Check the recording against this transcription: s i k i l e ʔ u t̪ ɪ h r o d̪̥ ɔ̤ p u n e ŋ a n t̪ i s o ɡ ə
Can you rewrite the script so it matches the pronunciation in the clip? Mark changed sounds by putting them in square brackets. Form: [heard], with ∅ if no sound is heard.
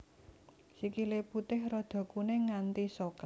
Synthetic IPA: s i k i l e [p] u t̪ ɪ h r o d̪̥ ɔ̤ [k] u n e ŋ a n t̪ i s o [k] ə

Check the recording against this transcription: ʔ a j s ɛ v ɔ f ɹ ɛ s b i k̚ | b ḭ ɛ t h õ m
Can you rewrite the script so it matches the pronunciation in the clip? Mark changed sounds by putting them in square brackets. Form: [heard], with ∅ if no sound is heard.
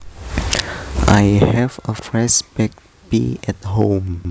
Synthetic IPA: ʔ a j [h] ɛ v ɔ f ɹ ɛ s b [ɛ] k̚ | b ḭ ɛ t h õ m

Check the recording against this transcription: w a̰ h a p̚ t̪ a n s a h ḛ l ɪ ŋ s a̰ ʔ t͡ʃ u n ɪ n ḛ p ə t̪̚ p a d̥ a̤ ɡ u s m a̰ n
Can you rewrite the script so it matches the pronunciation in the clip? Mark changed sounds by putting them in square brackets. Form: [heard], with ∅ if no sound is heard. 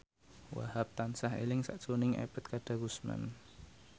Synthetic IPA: w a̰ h a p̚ t̪ a n s a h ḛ l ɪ ŋ s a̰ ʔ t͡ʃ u n ɪ [ŋ] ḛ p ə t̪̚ [k] a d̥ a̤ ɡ u s m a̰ n

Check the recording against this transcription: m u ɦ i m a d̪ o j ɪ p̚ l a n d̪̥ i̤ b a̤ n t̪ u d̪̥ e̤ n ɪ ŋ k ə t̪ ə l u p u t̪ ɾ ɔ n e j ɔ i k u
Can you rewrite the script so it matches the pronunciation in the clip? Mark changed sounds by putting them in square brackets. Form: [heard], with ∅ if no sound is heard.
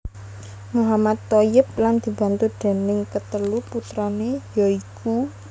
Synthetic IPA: m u ɦ [a] m a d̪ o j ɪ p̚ l a n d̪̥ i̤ b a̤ n t̪ u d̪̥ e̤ n ɪ ŋ k ə t̪ ə l u p u t̪ ɾ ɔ n e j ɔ i k u

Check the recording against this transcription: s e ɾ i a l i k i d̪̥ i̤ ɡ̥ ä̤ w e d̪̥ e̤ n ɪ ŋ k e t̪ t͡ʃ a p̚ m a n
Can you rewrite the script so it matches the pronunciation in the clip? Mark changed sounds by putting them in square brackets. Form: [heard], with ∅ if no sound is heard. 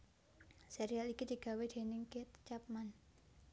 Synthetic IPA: s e ɾ i a l i k i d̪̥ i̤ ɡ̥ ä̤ w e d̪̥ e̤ n ɪ ŋ k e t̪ t͡ʃ a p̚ m a n

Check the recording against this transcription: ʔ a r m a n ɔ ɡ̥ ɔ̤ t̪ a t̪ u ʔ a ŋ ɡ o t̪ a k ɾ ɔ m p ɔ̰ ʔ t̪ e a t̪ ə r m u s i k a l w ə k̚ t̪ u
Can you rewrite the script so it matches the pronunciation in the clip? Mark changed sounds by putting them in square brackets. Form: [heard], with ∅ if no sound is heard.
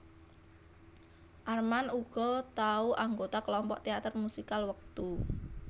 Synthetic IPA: ʔ a r m a n [u] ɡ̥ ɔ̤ t̪ a [∅] u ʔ a ŋ ɡ o t̪ a k [l] ɔ m p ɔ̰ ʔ t̪ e a t̪ ə r m u s i k a l w ə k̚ t̪ u

